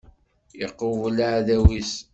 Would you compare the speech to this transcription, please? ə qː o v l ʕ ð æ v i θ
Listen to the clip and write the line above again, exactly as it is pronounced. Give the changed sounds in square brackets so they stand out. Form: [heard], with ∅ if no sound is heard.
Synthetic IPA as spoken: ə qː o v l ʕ ð æ [w] i [s]